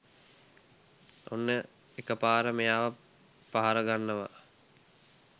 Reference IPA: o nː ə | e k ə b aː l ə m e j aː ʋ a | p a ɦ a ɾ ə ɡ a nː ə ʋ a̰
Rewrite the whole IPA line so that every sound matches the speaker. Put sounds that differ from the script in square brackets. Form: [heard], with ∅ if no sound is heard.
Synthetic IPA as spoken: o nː ə | e k ə [p] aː [ɾ] ə m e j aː ʋ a | p a ɦ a ɾ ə ɡ a nː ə ʋ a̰